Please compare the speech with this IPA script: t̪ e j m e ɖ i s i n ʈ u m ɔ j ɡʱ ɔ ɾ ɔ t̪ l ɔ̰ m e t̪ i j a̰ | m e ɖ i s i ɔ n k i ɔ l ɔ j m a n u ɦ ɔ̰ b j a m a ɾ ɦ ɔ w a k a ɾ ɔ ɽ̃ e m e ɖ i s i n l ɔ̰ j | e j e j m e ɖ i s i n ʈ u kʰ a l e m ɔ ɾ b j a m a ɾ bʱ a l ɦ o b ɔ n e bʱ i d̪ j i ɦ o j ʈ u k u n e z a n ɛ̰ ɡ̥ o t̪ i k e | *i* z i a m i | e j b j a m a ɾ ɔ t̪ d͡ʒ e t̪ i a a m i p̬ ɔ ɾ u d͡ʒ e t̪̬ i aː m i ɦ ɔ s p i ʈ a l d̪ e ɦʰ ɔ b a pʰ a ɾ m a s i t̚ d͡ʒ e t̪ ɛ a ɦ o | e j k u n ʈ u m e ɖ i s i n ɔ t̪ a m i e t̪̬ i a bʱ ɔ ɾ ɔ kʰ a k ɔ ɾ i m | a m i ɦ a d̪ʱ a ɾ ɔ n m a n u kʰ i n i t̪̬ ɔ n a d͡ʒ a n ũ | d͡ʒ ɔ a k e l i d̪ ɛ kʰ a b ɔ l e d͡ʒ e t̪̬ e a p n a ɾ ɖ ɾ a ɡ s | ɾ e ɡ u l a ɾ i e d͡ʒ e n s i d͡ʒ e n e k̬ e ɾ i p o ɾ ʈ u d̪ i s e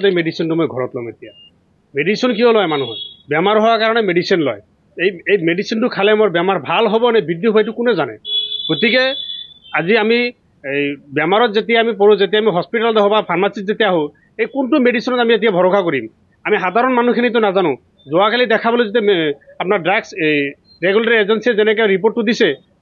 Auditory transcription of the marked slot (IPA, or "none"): a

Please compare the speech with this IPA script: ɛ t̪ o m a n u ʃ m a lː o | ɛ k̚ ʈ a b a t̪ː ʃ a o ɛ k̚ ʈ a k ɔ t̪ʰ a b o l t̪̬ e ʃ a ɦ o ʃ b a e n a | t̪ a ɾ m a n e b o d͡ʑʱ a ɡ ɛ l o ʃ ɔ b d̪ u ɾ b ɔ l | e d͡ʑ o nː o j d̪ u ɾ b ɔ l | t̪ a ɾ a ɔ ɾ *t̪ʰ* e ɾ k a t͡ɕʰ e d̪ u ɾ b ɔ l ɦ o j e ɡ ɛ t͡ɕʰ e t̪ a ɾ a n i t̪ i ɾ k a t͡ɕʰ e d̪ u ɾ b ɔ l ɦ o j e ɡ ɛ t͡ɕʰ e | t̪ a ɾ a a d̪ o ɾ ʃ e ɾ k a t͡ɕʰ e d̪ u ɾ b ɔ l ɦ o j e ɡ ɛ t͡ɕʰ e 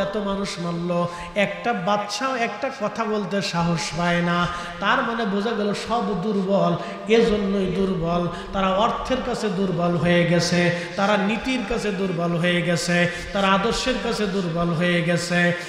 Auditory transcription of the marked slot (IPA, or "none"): t̪ʰ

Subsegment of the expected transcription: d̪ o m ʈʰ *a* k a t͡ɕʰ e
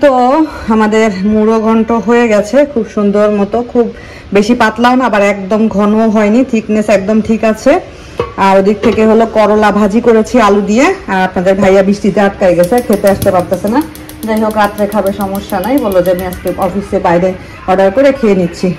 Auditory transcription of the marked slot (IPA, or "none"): i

